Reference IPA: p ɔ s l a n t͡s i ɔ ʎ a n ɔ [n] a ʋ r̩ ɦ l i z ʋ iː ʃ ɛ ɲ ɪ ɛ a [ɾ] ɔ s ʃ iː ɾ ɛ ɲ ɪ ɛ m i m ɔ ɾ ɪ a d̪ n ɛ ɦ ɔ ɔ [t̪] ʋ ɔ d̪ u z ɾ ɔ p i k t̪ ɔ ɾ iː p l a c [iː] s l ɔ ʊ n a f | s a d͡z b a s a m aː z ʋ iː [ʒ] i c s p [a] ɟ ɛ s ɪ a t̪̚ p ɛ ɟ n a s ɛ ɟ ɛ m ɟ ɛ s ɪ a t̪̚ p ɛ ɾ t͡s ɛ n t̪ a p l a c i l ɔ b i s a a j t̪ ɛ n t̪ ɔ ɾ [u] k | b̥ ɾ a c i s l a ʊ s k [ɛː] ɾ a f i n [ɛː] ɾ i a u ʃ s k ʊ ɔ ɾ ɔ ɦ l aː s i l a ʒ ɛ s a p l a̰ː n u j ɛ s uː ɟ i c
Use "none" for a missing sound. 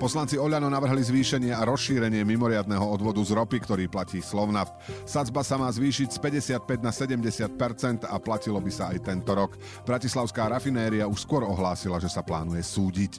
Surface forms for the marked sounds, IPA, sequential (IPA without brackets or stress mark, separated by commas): n, ɾ, d̪, iː, ʃ, ɛ, ɔ, aː, ɛː